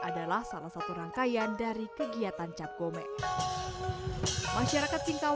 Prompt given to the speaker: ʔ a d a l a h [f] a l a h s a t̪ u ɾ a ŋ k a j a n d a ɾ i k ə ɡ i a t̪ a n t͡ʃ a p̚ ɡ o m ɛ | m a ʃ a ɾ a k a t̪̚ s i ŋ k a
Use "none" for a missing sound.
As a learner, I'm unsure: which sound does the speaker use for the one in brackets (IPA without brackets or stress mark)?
s